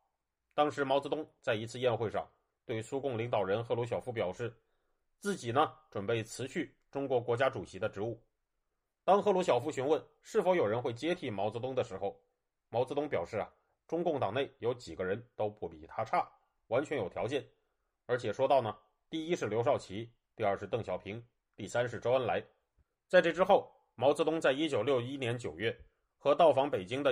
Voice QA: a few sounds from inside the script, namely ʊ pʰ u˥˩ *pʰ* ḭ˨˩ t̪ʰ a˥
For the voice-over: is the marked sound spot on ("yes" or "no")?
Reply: no